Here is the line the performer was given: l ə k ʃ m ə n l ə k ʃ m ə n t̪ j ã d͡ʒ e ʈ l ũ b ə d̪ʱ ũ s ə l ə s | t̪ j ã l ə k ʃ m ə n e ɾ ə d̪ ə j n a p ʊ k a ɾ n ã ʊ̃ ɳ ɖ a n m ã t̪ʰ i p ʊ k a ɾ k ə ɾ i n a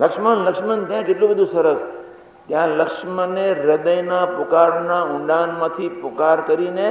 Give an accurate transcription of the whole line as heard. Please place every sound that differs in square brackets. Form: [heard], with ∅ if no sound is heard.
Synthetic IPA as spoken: l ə k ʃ m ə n l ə k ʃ m ə n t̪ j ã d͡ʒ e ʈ l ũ b ə d̪ʱ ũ s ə [ɾ] ə s | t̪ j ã l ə k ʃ m ə n e ɾ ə d̪ ə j n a p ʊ k a ɾ n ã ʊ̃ ɳ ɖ a n m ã t̪ʰ i p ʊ k a ɾ k ə ɾ i n [e]